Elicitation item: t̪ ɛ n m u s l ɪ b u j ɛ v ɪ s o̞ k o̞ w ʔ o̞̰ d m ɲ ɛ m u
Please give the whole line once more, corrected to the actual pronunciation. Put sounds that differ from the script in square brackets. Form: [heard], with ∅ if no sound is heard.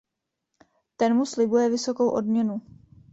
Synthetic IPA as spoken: t̪ ɛ n m u s l ɪ b u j ɛ v ɪ s o̞ k o̞ w ʔ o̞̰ d m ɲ ɛ [n] u